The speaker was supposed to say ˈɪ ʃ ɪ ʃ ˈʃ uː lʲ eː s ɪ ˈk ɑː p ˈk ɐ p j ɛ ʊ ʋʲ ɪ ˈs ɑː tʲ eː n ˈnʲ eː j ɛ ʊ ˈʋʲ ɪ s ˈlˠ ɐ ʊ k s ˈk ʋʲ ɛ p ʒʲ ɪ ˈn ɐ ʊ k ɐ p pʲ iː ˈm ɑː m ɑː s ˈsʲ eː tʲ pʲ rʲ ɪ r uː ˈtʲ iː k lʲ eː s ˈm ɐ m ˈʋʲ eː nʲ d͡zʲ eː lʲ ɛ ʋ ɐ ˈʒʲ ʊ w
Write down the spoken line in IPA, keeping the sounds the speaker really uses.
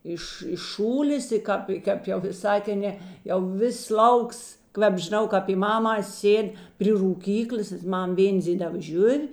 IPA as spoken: ˈɪ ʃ ɪ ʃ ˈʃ uː lʲ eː s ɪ ˈk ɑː p ˈk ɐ p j ɛ ʊ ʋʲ ɪ ˈs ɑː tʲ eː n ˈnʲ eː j ɛ ʊ ˈʋʲ ɪ s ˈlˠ ɐ ʊ k s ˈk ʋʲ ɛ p ʒʲ ɪ ˈn ɐ ʊ k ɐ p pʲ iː ˈm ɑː m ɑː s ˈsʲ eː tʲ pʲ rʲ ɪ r uː ˈkʲ iː k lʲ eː s ˈm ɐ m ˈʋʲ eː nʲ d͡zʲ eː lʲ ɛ ʋ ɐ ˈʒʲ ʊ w